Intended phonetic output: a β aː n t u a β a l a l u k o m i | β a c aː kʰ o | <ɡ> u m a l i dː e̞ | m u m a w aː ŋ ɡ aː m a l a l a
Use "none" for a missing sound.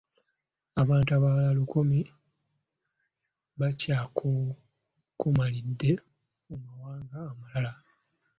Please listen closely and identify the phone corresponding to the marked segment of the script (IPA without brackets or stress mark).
k